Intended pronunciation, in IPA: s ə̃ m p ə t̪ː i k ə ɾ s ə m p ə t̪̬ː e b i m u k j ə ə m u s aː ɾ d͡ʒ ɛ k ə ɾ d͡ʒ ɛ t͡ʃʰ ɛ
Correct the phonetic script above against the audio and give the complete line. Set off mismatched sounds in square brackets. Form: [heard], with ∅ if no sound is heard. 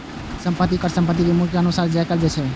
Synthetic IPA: s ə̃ m p ə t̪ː i k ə ɾ s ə m p ə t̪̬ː [i] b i m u k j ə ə [n] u s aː ɾ d͡ʒ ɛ k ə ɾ d͡ʒ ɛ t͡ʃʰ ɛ